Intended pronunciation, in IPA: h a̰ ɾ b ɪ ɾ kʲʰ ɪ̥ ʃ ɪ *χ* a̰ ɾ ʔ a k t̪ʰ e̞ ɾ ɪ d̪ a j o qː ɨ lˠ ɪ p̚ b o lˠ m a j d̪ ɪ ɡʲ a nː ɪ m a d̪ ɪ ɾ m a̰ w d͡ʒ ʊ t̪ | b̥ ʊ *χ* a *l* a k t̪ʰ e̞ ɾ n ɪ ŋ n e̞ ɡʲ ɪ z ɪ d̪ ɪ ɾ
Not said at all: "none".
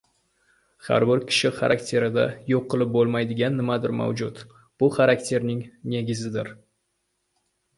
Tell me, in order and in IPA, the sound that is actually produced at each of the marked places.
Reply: χ, χ, ɾ

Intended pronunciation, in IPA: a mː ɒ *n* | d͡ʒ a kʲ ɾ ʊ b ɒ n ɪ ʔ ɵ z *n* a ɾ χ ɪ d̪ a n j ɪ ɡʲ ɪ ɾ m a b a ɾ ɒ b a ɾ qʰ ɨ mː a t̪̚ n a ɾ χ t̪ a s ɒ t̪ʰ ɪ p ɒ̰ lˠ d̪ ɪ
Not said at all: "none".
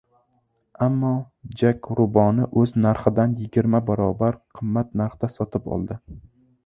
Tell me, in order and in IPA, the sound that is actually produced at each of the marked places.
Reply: none, n

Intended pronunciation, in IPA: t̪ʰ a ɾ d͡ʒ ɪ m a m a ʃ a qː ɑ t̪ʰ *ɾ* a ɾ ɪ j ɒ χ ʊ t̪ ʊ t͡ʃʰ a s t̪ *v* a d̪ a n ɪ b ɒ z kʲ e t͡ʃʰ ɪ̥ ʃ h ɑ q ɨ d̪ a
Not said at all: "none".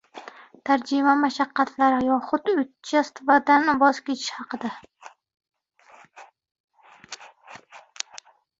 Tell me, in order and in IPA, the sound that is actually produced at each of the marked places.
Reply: l, v

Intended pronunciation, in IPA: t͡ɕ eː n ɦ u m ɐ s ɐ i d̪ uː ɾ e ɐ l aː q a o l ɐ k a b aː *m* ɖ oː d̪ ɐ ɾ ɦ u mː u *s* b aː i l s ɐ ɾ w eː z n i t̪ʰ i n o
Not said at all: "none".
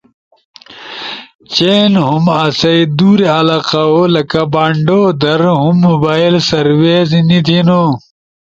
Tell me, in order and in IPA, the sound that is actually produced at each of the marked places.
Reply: ɳ, none

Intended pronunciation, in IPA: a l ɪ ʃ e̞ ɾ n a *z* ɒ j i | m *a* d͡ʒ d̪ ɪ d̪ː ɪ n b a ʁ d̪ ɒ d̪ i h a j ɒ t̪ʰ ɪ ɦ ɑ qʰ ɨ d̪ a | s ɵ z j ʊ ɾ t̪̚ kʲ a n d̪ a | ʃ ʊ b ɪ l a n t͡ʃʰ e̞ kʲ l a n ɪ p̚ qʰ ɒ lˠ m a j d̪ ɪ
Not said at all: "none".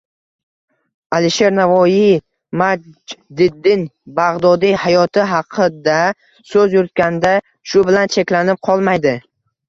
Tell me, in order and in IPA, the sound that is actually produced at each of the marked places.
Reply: v, a

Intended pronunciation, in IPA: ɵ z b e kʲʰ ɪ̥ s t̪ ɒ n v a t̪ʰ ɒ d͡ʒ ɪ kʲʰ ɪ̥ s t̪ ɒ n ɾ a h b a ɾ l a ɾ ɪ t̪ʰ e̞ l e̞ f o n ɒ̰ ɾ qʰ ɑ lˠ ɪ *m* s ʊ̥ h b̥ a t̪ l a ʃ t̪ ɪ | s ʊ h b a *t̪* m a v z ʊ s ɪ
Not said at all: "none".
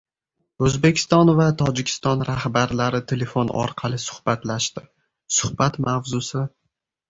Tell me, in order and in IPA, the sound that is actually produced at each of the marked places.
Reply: none, t̪

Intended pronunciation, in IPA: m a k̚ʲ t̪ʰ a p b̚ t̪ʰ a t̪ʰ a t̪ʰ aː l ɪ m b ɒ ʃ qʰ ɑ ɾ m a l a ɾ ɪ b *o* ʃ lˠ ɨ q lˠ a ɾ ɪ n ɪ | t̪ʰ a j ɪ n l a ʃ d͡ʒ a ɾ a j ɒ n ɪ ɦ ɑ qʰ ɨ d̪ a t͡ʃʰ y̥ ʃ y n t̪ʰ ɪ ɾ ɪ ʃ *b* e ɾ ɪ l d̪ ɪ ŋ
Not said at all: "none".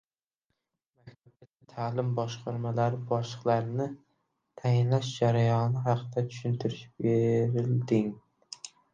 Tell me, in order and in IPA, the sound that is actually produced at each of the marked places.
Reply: ɒ, b

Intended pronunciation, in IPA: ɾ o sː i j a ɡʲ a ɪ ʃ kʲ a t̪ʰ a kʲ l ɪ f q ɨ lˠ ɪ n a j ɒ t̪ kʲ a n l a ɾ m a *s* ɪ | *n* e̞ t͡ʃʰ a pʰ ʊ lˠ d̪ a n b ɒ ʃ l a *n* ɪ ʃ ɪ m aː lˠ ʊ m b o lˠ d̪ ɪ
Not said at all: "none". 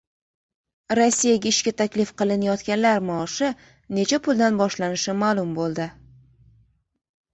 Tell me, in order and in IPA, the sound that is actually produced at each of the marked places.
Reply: ʃ, n, n

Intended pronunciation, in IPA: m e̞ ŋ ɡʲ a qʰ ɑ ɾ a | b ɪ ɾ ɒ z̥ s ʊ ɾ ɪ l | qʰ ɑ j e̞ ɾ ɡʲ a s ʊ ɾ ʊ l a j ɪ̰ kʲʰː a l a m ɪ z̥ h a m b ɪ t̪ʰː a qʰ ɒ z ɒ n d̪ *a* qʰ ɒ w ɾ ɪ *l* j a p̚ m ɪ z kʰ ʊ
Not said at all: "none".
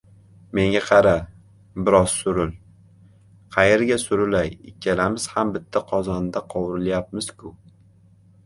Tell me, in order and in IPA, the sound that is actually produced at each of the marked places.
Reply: a, l

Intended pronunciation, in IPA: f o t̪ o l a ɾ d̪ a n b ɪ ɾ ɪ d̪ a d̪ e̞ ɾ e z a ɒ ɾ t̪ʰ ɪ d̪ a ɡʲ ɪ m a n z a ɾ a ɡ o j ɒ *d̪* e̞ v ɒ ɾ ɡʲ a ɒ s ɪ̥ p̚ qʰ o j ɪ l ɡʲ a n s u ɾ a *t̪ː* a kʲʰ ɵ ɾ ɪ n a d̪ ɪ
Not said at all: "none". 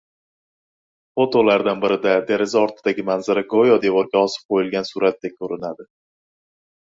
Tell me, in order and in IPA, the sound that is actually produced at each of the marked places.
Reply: d̪, t̪ː

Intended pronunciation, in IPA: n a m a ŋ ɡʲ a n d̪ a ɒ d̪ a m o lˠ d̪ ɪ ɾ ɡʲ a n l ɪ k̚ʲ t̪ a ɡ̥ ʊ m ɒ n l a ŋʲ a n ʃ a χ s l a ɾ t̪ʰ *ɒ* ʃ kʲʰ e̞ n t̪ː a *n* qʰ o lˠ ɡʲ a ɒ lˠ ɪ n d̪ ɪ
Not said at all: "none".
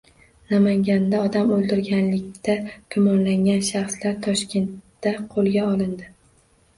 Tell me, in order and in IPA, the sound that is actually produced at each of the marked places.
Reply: ɒ, none

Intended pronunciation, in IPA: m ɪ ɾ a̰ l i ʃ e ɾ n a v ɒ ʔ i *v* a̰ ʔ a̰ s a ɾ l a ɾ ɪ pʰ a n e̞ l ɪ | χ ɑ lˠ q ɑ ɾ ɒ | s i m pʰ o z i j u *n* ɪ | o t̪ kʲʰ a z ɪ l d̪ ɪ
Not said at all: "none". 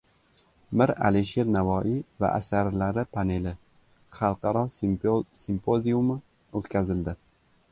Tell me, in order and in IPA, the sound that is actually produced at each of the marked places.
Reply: v, m

